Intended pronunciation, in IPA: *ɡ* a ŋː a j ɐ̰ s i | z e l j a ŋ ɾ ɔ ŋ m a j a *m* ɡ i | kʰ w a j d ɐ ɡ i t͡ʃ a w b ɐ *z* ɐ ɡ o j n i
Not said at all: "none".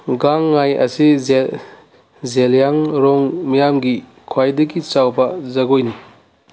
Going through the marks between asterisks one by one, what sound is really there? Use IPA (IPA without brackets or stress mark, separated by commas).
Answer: ɡ, m, z